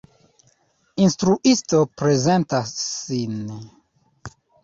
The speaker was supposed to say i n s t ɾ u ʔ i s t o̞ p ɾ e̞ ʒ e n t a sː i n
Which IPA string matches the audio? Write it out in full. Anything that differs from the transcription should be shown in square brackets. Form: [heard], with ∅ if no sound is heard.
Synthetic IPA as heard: i n s t ɾ u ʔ i s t o̞ p ɾ e̞ [z] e n t a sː i n